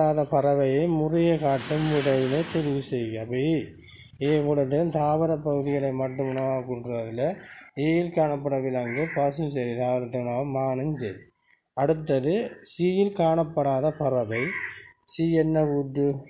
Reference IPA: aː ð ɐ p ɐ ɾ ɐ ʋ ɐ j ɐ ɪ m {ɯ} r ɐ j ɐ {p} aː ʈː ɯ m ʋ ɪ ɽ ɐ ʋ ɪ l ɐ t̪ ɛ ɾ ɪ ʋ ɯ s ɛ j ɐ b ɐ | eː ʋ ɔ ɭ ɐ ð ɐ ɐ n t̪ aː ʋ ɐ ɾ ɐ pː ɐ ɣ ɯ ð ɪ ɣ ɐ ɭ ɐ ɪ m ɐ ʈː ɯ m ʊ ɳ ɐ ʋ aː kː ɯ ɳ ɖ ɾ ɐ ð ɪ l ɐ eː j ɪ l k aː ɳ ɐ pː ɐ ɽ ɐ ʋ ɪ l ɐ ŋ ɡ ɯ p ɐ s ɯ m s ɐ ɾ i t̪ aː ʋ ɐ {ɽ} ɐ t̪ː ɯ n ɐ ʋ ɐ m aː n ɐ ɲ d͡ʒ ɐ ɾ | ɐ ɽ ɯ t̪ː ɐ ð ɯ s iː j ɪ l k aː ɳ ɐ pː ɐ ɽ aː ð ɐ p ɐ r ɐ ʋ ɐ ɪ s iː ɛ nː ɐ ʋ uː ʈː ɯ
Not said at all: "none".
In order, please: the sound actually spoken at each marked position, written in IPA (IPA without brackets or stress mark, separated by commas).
ʊ, k, ɾ